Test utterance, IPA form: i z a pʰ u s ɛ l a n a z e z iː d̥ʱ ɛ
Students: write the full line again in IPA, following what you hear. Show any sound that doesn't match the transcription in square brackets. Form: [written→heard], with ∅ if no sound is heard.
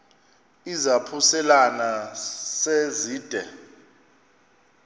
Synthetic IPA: i z a pʰ u s ɛ l a n a [z→s] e z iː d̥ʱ ɛ